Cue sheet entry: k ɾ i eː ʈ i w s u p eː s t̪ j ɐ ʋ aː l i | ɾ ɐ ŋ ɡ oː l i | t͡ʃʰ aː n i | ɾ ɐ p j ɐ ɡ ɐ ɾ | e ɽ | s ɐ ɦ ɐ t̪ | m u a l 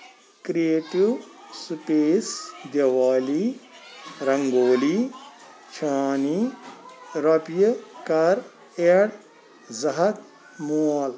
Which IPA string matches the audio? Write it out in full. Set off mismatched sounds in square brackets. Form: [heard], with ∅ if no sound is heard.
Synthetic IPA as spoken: k ɾ i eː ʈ i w s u p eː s [d̪] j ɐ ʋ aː l i | ɾ ɐ ŋ ɡ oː l i | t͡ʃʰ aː n i | ɾ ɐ p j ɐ [k] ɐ ɾ | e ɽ | [z] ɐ ɦ ɐ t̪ | m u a l